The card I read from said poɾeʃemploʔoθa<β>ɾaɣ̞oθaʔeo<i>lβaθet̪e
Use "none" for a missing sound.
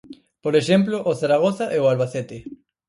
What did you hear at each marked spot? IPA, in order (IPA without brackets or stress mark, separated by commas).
none, a